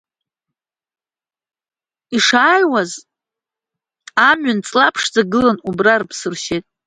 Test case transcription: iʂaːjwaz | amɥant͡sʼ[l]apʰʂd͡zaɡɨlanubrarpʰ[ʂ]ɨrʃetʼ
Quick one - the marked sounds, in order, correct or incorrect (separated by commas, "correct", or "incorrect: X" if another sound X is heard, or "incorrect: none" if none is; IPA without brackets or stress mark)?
correct, incorrect: s